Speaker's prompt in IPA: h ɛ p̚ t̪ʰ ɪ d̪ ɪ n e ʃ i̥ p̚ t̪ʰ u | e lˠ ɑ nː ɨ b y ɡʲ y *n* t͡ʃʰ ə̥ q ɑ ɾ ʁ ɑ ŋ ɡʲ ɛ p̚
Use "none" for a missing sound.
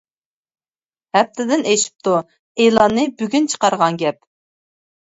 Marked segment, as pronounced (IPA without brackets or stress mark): n